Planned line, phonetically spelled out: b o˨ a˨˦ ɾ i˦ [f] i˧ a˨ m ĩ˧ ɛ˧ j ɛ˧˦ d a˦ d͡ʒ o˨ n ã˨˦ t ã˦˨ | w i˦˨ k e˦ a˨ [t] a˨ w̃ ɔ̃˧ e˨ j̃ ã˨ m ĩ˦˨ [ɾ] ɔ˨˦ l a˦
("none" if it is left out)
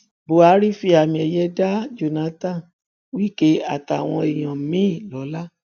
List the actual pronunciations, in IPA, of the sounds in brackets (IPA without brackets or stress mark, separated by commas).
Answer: f, t, l